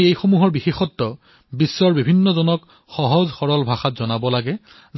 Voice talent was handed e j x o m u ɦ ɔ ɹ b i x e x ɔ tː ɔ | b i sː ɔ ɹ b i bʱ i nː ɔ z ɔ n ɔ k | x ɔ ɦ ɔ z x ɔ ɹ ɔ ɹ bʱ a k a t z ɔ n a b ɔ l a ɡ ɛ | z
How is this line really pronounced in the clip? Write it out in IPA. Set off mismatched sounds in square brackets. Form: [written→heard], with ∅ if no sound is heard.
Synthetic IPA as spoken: e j x o m u ɦ ɔ ɹ b i x e x ɔ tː ɔ | b i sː ɔ ɹ b i bʱ i nː ɔ z ɔ n ɔ k | x ɔ ɦ ɔ z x ɔ ɹ ɔ [ɹ→l] bʱ a [k→x] a t z ɔ n a b ɔ l a ɡ ɛ | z